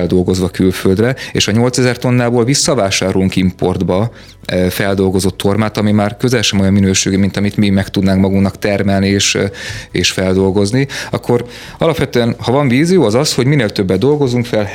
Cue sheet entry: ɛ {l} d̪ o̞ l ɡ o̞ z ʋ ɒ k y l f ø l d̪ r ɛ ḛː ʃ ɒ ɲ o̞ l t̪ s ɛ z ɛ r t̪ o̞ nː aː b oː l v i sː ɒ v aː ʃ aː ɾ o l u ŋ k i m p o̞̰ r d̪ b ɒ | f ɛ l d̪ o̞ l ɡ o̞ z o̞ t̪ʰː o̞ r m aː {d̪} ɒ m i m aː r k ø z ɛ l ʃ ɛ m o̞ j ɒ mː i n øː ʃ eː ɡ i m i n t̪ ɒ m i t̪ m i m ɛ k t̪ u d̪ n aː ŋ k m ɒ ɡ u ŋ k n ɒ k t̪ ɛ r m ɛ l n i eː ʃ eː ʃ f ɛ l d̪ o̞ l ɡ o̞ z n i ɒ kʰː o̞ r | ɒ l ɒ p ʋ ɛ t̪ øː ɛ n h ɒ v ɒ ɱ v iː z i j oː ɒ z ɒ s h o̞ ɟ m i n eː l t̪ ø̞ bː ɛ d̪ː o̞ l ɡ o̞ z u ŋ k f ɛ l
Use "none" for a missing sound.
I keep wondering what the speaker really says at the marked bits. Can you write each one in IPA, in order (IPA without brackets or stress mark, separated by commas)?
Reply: l, t̪